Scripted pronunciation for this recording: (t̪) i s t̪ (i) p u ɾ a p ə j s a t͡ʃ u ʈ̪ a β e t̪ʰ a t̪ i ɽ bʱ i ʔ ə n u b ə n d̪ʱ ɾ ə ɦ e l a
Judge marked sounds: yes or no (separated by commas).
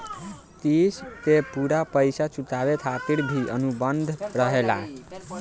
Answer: yes, no